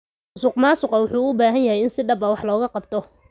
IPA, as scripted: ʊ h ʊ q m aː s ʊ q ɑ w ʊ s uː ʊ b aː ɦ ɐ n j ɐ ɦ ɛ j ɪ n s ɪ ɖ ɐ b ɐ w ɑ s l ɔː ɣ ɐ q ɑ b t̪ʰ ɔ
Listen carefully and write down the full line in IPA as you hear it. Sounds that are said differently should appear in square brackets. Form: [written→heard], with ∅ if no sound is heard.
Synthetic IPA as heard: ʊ [h→s] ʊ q m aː s ʊ q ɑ w ʊ [s→ħ] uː ʊ b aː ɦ ɐ n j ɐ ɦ ɛ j ɪ n s ɪ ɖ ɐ b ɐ w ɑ [s→ħ] l ɔː ɣ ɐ q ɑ b t̪ʰ ɔ